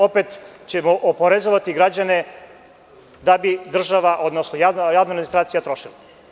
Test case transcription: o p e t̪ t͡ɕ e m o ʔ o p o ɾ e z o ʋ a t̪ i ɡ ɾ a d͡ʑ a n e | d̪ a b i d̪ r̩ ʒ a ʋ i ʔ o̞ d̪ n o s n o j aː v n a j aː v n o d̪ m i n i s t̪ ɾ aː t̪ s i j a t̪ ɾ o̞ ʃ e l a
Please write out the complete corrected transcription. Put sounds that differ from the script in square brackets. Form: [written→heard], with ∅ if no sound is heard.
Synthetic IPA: o p e t̪ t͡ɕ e m o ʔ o p o ɾ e z o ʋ a t̪ i ɡ ɾ a d͡ʑ a n e | d̪ a b i d̪ r̩ ʒ a ʋ [i→a] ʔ o̞ d̪ n o s n o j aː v n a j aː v n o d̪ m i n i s t̪ ɾ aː t̪ s i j a t̪ ɾ o̞ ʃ [e→i] l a